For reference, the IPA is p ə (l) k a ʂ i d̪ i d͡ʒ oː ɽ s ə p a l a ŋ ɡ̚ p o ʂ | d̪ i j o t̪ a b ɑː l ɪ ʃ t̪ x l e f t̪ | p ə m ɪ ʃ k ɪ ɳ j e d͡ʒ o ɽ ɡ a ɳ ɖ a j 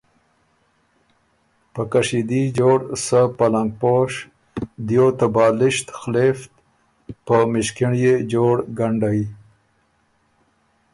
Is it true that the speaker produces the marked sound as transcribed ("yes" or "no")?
no